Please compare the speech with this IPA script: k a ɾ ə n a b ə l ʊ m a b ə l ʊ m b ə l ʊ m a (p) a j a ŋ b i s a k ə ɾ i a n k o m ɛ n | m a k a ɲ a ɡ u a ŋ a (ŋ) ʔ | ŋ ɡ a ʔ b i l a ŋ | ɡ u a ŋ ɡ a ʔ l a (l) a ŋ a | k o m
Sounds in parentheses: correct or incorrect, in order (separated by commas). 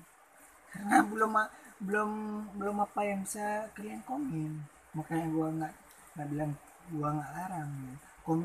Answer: correct, incorrect, incorrect